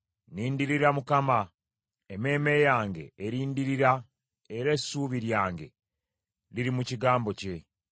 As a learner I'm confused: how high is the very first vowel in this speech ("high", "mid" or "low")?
high